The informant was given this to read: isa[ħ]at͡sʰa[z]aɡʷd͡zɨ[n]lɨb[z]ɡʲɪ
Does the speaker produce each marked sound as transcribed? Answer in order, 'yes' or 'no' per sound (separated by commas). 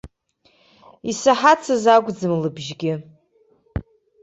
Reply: yes, yes, no, no